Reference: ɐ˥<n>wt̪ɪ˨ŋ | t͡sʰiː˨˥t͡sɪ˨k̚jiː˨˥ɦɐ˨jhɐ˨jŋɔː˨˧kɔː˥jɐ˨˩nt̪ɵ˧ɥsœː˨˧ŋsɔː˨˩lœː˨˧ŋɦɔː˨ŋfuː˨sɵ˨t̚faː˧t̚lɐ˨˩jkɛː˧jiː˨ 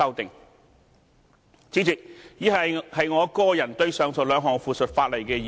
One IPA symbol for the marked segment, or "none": none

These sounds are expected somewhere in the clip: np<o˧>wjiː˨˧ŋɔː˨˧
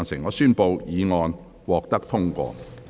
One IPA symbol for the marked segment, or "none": o˧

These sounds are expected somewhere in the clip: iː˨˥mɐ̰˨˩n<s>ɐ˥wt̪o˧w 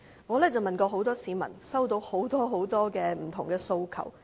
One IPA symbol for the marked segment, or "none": s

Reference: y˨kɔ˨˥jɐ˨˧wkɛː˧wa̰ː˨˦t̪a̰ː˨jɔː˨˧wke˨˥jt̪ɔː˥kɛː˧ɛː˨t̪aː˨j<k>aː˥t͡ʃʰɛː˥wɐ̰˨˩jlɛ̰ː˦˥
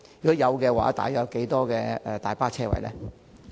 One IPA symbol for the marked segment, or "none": p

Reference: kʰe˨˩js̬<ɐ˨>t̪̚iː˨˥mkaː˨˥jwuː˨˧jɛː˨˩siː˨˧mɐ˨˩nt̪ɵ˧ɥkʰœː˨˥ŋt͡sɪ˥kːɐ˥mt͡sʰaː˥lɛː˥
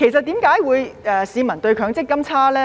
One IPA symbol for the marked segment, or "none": ɐ˨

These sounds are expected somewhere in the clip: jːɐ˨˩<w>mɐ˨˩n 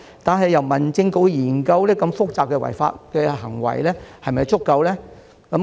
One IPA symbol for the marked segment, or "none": w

